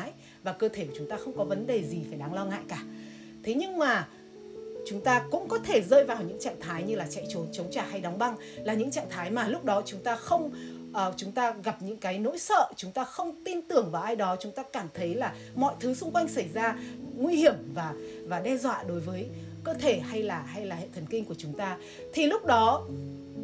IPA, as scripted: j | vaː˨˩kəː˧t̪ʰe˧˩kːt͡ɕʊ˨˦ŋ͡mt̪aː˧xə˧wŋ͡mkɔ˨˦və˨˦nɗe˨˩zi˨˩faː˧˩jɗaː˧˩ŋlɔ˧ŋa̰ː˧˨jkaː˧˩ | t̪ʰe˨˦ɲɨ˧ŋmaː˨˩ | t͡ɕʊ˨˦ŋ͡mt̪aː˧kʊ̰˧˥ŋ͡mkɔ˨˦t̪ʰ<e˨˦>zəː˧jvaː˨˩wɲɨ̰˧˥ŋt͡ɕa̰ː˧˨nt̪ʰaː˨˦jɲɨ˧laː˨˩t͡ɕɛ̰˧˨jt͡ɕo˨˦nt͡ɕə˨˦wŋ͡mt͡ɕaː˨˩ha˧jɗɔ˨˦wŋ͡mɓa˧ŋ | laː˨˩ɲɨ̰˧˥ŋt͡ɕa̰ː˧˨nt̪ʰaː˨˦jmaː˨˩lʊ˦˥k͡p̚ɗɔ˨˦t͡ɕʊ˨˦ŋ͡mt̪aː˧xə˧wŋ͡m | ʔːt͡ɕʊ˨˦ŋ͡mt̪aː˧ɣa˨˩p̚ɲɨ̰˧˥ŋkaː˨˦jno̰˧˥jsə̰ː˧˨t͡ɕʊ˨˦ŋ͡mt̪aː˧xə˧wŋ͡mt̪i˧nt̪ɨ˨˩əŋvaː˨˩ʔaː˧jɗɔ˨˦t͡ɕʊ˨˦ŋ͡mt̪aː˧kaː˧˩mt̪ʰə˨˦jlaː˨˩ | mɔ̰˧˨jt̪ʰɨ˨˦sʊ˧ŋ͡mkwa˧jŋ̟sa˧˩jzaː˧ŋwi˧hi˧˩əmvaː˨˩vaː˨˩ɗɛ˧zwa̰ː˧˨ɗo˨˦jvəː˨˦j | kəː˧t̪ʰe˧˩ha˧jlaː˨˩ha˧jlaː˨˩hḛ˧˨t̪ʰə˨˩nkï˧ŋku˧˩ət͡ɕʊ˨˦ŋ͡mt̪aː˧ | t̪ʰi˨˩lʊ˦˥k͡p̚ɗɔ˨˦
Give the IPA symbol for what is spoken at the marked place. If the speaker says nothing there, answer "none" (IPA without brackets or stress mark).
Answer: e˧˩